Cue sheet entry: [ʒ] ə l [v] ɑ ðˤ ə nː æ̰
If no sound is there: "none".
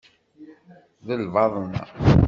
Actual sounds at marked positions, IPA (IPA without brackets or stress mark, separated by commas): ð, v